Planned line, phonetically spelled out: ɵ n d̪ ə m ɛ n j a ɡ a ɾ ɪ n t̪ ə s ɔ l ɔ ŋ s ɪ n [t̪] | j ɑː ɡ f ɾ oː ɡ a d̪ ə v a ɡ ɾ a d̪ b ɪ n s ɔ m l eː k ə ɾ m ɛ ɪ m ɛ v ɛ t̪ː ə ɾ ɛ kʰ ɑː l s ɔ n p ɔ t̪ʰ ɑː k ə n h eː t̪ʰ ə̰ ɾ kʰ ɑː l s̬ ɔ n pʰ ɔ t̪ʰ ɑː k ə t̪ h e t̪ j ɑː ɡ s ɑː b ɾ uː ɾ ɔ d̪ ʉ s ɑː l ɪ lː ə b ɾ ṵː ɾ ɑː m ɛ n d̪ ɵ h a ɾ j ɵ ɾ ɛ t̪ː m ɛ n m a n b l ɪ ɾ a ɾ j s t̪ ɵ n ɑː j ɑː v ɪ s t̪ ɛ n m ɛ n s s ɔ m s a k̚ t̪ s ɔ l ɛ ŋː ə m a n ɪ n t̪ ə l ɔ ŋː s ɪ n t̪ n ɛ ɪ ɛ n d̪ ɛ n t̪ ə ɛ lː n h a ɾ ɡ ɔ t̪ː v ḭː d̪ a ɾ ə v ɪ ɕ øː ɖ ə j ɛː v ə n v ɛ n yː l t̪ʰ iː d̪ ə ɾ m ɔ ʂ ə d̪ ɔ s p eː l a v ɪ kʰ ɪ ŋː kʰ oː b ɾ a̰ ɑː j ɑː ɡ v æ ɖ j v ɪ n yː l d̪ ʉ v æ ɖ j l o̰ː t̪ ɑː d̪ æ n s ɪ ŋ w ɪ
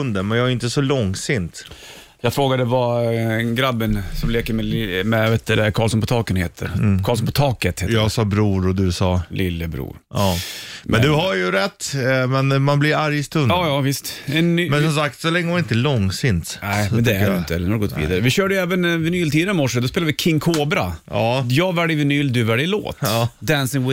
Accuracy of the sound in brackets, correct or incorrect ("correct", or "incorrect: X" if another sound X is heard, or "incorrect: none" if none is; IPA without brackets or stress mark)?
correct